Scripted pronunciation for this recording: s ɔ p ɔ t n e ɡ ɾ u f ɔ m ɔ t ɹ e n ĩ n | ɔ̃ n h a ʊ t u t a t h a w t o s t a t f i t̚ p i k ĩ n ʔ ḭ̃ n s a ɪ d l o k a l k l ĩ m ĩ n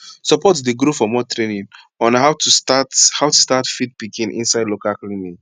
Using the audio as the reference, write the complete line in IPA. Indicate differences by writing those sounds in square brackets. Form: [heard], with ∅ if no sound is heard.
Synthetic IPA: s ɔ p ɔ t [d] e ɡ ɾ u f ɔ m ɔ t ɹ e n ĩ n | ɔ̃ n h a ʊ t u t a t h a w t [u] s t a t f i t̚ p i k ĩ n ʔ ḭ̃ n s a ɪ d l o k a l k l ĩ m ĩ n